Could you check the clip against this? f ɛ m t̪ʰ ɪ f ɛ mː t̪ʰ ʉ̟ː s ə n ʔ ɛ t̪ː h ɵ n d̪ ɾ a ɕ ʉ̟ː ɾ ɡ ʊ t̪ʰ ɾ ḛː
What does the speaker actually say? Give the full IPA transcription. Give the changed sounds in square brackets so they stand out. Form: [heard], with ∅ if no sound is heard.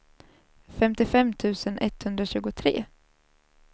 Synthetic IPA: f ɛ m [t̪] ɪ f ɛ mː t̪ʰ ʉ̟ː s ə n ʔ ɛ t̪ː h ɵ n d̪ ɾ a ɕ ʉ̟ː [∅] ɡ ʊ t̪ʰ ɾ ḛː